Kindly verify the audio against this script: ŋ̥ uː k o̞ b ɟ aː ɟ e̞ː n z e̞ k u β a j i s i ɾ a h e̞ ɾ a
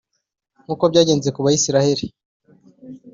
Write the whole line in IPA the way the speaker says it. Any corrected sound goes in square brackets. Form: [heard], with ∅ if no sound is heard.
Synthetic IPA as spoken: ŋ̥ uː k o̞ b ɟ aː ɟ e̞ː n z e̞ k u β a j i s i ɾ a h e̞ ɾ [i]